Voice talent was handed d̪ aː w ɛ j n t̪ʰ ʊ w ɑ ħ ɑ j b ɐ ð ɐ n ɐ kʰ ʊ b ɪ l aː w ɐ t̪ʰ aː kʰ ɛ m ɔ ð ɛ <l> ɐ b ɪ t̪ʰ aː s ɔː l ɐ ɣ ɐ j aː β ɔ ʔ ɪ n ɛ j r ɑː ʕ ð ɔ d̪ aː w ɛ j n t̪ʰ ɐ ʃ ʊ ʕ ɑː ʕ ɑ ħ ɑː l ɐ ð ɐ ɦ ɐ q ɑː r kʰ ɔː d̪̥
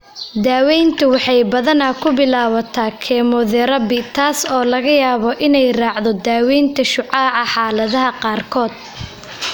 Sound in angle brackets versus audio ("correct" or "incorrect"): incorrect